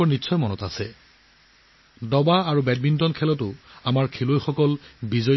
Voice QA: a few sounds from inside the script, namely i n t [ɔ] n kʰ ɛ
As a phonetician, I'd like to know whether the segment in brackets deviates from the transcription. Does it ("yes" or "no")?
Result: no